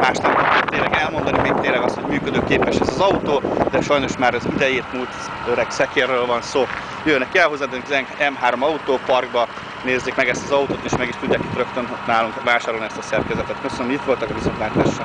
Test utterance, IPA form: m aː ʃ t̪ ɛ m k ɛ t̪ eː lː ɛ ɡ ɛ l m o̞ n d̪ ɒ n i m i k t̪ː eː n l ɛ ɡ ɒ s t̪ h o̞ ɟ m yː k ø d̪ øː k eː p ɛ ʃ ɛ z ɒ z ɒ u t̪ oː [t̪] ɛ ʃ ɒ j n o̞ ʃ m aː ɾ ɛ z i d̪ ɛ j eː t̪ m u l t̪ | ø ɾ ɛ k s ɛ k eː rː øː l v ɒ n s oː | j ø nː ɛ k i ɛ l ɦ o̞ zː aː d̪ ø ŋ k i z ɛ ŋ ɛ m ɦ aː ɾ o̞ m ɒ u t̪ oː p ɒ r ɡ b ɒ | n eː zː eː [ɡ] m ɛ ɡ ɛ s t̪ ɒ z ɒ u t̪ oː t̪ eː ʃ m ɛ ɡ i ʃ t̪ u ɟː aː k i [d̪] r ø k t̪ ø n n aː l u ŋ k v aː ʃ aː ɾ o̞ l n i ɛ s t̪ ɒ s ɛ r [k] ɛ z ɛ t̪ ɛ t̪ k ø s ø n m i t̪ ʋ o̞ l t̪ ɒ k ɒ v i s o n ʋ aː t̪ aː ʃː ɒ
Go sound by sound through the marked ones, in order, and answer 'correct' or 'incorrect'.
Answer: incorrect: d̪, incorrect: k, incorrect: t̪, correct

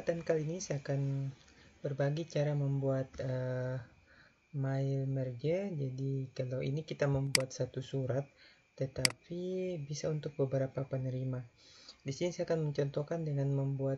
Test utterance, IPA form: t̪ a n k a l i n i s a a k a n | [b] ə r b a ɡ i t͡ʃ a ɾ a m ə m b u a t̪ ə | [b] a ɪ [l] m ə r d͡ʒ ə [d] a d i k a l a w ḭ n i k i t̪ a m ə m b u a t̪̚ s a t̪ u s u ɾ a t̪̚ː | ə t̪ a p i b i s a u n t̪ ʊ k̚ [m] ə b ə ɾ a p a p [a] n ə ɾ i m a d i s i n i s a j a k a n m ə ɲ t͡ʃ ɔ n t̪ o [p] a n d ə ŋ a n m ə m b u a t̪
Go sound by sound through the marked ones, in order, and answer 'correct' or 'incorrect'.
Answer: correct, incorrect: m, correct, incorrect: d͡ʒ, incorrect: b, incorrect: ə, incorrect: k

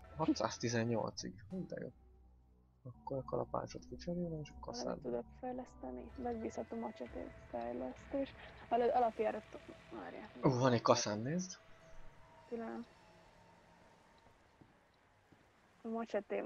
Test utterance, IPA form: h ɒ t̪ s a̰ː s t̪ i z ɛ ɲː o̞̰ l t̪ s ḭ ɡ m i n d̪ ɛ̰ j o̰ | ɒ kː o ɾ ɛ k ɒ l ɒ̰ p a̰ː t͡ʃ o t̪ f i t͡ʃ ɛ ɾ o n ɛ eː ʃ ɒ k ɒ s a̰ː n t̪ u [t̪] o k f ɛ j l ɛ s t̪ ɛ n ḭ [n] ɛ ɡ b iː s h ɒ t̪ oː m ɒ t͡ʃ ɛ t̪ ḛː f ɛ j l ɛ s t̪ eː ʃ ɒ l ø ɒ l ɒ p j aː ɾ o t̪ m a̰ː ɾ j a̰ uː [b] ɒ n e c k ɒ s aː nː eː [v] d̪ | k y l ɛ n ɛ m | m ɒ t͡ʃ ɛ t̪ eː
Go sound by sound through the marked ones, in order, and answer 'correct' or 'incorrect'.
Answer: incorrect: d̪, incorrect: m, incorrect: v, incorrect: z

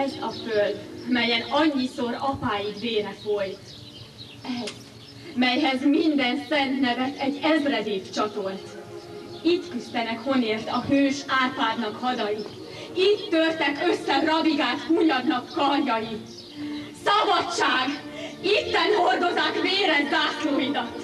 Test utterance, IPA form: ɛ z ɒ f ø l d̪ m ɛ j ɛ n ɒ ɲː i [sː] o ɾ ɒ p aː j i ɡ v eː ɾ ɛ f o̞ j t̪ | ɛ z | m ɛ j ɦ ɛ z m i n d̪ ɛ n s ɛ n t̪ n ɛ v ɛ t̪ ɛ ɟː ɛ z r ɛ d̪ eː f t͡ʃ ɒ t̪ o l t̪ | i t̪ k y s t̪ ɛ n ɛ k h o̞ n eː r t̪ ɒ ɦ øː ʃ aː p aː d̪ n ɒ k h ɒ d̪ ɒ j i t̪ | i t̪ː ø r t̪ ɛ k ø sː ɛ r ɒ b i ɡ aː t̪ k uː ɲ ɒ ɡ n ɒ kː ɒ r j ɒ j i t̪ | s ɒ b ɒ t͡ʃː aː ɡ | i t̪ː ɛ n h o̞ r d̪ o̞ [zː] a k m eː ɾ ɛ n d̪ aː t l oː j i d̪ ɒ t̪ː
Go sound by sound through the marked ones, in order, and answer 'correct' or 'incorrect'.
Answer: incorrect: s, incorrect: z

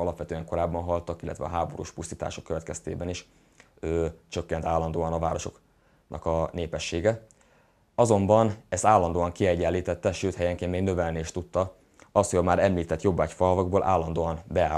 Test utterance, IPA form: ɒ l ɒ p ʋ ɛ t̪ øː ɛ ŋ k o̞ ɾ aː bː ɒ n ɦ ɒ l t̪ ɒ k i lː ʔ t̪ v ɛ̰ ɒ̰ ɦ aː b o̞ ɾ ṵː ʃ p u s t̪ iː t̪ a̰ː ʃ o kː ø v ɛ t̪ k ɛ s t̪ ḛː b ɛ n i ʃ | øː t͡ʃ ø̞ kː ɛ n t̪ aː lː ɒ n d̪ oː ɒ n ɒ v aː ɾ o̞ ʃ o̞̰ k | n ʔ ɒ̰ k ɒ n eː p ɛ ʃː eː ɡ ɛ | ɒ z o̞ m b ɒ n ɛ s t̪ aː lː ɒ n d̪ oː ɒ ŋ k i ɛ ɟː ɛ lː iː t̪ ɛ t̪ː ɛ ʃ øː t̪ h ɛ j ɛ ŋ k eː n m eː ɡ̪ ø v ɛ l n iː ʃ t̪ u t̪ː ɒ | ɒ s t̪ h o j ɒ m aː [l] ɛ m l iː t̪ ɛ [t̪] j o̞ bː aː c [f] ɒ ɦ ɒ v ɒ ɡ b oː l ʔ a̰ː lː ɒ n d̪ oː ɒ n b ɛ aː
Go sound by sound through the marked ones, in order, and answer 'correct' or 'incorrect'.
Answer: incorrect: ɾ, correct, correct

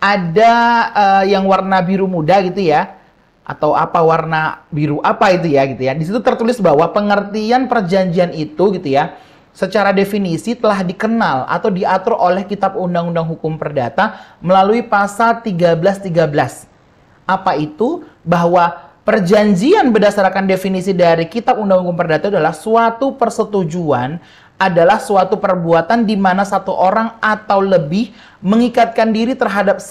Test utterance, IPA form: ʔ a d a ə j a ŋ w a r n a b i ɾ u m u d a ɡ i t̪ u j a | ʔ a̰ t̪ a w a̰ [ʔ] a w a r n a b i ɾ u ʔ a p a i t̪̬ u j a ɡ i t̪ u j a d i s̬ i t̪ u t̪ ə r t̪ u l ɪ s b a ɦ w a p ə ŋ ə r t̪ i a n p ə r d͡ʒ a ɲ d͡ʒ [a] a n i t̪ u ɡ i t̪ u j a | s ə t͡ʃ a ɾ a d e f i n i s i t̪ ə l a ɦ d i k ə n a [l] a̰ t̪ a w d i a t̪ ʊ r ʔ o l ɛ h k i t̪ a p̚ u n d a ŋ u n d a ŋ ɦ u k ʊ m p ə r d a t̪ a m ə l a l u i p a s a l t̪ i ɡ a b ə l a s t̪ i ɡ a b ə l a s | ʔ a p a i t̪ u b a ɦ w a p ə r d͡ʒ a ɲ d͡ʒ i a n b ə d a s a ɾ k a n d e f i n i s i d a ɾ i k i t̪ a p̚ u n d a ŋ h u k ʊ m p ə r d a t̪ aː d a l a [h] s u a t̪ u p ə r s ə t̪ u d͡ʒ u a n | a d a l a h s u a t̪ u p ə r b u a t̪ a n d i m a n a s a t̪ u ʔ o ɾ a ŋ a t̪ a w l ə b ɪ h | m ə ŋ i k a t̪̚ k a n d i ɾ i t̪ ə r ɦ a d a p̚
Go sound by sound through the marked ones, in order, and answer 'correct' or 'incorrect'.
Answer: incorrect: p, incorrect: i, correct, correct

